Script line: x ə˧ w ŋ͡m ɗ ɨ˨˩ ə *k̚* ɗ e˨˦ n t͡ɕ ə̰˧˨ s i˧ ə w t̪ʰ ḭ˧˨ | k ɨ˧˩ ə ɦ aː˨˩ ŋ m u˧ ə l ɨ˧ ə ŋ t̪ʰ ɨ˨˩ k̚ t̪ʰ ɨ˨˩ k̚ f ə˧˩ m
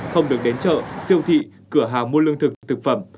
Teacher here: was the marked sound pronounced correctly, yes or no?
yes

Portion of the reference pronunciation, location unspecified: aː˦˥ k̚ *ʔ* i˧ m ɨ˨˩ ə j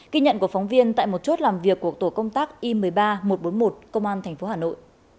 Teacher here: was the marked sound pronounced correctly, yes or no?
yes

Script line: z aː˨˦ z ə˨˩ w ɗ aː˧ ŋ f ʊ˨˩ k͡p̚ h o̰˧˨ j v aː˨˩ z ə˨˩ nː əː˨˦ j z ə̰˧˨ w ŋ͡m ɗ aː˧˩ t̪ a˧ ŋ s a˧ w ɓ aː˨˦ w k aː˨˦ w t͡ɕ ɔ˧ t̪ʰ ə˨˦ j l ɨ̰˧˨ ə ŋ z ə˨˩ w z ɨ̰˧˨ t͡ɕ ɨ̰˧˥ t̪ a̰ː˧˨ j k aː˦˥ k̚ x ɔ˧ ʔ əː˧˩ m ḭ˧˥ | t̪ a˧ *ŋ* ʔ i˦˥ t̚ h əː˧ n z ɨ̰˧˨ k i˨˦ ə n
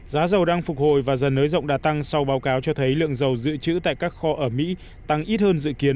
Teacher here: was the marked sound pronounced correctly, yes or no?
yes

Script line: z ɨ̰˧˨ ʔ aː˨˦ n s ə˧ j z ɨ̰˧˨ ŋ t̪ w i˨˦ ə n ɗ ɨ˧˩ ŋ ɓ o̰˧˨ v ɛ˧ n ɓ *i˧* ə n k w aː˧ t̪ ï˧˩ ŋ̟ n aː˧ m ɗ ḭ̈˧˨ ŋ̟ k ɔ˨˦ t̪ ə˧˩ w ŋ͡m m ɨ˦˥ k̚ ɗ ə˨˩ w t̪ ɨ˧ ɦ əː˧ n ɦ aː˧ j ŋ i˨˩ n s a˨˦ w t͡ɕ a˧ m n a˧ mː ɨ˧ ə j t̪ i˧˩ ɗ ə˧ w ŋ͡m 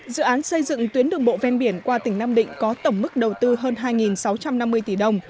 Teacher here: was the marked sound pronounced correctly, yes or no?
no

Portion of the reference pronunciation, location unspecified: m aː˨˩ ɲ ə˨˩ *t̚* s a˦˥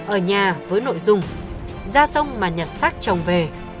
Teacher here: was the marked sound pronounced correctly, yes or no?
yes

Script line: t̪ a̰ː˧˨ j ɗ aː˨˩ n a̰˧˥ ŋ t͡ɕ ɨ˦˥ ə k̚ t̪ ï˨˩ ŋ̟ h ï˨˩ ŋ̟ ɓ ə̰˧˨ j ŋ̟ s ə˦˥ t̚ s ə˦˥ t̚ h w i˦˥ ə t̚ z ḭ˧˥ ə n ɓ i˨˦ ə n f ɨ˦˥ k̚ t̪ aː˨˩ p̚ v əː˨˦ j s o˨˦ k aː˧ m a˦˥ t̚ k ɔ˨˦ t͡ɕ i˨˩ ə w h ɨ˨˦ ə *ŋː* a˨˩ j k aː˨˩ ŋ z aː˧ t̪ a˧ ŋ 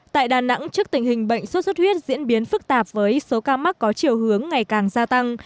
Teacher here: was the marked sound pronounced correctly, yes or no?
yes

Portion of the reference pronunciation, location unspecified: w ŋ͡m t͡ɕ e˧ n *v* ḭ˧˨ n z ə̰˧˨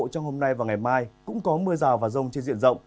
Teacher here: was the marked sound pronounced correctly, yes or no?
no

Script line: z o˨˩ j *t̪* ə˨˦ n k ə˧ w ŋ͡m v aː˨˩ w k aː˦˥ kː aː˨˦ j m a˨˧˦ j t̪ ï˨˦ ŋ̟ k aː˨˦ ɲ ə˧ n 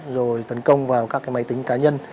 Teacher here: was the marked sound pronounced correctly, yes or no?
yes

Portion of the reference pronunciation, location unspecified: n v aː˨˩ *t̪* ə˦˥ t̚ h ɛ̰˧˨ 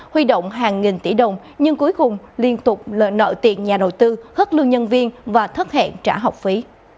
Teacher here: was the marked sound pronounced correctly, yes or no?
no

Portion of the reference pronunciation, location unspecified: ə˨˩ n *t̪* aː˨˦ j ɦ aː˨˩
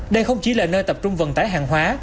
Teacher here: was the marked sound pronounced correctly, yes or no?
yes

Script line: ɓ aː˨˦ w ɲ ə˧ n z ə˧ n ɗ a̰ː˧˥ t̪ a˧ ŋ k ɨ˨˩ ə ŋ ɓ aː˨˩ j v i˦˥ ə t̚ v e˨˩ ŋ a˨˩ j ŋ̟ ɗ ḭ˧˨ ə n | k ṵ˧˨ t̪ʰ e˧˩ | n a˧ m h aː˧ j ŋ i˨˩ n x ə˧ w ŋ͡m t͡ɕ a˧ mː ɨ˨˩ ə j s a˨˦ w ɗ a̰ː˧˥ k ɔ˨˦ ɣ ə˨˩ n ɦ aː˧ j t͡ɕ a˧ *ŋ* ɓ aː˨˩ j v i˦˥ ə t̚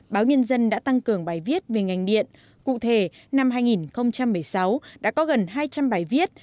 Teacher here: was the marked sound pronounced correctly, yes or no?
no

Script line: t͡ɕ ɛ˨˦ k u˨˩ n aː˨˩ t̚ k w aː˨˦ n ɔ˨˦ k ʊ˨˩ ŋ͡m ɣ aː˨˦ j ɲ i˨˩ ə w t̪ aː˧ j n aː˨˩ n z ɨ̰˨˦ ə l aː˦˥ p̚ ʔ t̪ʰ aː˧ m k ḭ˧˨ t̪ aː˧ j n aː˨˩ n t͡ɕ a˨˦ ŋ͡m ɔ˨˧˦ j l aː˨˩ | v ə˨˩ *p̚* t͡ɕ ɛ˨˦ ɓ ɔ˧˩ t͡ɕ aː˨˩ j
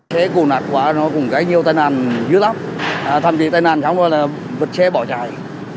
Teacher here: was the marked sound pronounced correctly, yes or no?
no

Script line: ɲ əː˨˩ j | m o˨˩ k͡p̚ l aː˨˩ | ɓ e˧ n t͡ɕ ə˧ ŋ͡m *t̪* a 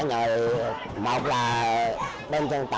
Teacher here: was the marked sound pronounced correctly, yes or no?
yes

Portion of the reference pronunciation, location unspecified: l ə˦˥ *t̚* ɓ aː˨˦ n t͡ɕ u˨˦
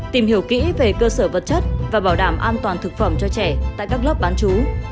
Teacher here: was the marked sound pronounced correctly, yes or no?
no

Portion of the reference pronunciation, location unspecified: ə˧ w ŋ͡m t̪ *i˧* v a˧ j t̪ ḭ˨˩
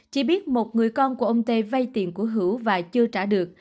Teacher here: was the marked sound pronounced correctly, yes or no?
no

